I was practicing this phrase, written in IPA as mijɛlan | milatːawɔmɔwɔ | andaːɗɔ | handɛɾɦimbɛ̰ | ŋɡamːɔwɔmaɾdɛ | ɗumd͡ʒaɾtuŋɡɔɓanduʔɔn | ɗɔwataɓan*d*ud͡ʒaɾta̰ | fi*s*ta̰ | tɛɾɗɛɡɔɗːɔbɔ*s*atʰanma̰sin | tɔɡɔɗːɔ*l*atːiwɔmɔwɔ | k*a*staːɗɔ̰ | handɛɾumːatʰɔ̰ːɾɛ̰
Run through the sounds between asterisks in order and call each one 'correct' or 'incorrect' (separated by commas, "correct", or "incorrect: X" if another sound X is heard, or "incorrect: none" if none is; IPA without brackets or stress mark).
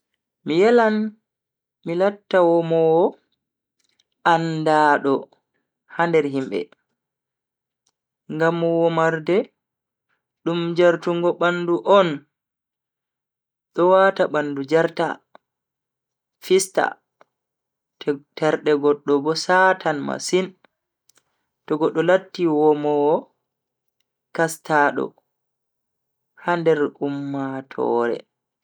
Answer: correct, correct, correct, correct, correct